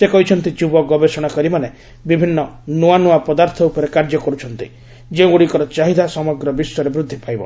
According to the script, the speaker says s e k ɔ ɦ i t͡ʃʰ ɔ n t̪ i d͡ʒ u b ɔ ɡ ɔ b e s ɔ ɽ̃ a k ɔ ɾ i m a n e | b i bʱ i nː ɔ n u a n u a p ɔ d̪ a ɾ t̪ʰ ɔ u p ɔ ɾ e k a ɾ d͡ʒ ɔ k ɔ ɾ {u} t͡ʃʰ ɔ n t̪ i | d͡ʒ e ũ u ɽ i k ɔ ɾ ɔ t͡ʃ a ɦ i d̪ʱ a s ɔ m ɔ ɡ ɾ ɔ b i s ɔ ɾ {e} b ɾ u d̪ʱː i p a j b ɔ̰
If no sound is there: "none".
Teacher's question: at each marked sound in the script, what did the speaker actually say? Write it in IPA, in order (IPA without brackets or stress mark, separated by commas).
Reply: u, e